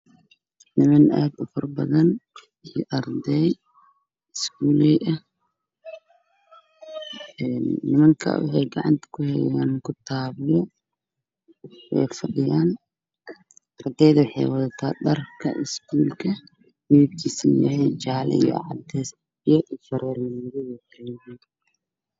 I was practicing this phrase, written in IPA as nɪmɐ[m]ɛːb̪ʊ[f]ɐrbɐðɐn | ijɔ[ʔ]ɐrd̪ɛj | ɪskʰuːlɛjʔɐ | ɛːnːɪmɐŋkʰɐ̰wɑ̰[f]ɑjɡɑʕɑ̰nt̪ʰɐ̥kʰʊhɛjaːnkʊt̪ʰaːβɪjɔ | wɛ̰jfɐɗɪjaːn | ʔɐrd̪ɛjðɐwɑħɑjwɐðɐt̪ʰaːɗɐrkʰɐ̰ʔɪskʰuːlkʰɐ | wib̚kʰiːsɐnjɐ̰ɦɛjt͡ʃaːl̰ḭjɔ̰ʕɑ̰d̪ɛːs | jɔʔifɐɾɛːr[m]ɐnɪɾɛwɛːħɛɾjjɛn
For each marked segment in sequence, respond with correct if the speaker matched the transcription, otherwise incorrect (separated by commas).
incorrect, correct, correct, incorrect, correct